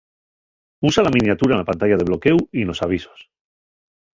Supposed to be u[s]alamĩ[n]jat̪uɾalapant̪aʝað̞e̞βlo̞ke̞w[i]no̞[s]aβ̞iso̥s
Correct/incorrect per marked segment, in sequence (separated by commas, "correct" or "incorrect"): correct, correct, correct, correct